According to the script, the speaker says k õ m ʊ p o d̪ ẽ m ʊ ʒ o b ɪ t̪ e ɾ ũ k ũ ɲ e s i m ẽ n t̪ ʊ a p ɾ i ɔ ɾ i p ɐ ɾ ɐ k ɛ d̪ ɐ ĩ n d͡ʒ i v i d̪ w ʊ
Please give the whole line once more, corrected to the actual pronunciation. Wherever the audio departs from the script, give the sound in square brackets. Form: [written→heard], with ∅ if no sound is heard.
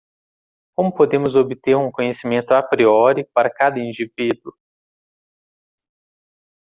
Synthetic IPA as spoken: k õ m ʊ p o d̪ ẽ m ʊ [ʒ→z] o b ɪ t̪ e ɾ ũ k [ũ→õ] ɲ e s i m ẽ n t̪ ʊ a p ɾ i ɔ ɾ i p [ɐ→a] ɾ ɐ k [ɛ→a] d̪ ɐ ĩ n d͡ʒ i v i d̪ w ʊ